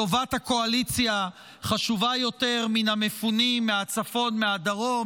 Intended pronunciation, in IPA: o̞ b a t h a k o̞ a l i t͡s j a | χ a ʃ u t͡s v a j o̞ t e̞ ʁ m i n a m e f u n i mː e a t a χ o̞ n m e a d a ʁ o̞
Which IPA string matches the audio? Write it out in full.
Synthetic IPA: o̞ v a t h a k o̞ a l i t͡s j a | χ a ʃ u v a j o̞ t e̞ ʁ m i n a m e f u n i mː e a t͡s a f o̞ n m e a d a ʁ o̞